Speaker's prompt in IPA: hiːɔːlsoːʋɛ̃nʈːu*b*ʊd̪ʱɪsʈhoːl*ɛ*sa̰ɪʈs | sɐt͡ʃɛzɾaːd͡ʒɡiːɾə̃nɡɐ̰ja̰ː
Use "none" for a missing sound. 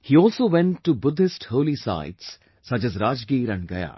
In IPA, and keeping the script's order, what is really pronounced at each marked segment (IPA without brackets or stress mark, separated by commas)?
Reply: b, i